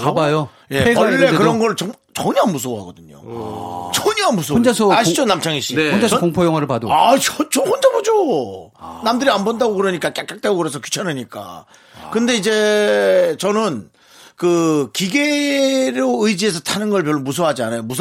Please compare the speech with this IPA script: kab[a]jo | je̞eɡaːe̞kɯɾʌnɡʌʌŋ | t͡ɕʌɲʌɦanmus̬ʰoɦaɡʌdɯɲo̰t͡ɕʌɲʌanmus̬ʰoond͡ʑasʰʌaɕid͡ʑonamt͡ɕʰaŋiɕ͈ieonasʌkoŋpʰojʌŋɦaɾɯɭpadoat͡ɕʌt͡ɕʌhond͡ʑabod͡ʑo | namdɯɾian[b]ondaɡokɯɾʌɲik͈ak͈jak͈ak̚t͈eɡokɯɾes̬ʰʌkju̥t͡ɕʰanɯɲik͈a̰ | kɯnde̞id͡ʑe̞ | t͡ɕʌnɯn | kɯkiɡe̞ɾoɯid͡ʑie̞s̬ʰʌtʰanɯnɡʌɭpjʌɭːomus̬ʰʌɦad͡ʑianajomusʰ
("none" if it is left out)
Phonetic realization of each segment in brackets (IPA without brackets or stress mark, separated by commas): a, b